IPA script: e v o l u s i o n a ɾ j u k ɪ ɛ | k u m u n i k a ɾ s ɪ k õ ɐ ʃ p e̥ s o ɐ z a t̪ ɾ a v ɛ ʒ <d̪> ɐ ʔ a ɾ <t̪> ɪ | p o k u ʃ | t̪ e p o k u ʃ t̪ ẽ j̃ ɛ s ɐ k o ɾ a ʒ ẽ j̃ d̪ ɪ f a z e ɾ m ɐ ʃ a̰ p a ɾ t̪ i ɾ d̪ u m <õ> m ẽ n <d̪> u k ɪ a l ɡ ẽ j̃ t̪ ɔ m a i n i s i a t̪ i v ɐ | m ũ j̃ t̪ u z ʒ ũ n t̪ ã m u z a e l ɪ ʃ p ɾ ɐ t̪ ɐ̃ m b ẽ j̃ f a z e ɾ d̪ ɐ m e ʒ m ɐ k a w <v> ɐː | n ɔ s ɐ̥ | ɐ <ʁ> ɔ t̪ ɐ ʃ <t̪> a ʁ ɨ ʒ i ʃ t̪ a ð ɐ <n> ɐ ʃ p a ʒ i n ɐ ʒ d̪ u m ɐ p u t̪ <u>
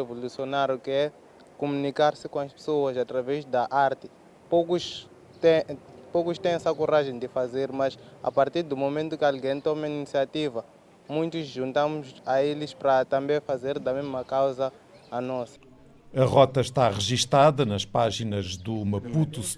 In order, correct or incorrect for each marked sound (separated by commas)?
correct, correct, incorrect, incorrect, incorrect, correct, correct, correct, correct